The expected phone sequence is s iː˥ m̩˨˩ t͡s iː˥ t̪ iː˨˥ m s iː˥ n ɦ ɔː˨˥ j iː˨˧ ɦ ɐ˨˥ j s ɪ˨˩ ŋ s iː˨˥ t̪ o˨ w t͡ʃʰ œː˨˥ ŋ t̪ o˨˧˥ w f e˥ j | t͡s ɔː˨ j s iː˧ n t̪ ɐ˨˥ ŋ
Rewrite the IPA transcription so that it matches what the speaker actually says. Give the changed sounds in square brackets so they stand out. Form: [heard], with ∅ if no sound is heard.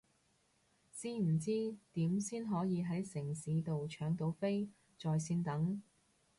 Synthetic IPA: s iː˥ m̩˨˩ t͡s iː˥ t̪ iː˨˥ m s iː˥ n ɦ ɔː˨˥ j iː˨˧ ɦ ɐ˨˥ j s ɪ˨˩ ŋ s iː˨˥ t̪ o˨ w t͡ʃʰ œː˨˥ ŋ t̪ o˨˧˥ w f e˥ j | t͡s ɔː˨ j s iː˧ n t̪ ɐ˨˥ ŋ